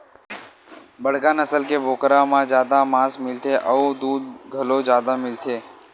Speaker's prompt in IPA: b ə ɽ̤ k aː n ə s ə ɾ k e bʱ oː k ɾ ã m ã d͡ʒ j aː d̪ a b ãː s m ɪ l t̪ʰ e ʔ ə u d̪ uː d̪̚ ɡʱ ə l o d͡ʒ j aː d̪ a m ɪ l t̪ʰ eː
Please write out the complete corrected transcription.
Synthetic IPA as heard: b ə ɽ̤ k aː n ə s ə l k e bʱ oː k ɾ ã m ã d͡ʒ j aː d̪ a m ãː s m ɪ l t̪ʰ e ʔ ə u d̪ uː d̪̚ ɡʱ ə l o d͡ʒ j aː d̪ a m ɪ l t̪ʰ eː